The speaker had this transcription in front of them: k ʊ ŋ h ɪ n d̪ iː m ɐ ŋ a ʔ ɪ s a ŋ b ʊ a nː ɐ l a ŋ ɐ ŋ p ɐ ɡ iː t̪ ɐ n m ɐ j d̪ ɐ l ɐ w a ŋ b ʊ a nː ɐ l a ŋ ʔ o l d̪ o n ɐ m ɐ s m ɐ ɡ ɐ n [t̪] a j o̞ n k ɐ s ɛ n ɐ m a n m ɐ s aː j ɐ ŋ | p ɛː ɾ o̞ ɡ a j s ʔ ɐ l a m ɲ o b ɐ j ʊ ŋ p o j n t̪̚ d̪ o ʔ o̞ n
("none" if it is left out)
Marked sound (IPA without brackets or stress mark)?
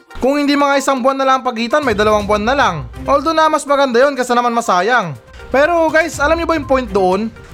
d̪